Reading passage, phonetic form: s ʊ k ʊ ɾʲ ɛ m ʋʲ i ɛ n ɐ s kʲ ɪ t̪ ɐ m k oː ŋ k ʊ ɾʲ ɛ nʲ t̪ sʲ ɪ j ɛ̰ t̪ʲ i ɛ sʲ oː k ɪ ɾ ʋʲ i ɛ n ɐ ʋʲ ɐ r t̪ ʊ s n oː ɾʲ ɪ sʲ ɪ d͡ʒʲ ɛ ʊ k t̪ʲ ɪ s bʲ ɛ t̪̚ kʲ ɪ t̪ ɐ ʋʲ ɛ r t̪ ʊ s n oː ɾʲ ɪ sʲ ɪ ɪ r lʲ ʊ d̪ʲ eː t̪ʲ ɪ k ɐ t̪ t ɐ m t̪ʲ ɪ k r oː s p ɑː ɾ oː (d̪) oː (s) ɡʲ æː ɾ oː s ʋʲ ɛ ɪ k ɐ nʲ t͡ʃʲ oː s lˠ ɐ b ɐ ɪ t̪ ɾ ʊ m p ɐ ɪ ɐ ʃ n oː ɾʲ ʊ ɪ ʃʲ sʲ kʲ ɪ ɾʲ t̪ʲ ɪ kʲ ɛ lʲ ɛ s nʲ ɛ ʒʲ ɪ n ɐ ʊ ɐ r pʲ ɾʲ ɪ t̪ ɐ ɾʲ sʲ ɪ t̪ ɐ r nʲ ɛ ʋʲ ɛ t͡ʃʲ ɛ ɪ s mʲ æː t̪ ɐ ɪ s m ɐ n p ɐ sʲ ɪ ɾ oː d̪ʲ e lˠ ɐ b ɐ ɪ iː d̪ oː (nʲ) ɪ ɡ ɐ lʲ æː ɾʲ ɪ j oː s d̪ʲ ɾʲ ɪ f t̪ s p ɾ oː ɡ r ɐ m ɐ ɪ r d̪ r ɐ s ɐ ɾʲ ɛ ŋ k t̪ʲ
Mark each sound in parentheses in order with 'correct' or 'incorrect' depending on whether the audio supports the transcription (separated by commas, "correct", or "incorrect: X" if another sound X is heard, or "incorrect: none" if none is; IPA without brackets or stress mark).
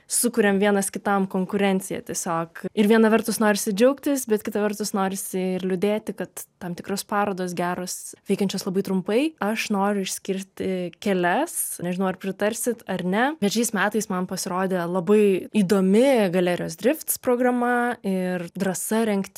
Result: correct, correct, incorrect: mʲ